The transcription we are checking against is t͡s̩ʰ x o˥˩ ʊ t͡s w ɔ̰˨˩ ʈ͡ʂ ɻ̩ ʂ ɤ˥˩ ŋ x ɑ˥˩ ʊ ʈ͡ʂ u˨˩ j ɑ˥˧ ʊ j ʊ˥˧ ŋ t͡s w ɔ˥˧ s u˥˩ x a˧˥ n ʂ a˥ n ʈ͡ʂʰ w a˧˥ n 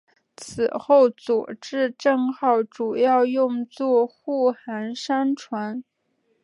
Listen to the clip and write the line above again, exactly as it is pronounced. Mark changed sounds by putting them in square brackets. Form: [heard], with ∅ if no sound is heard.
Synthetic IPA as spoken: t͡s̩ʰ x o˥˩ ʊ t͡s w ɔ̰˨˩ ʈ͡ʂ ɻ̩ [ʈ͡ʂ] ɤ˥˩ ŋ x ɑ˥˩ ʊ ʈ͡ʂ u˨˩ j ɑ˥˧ ʊ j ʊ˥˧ ŋ t͡s w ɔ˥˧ [x] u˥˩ x a˧˥ n ʂ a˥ n ʈ͡ʂʰ w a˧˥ n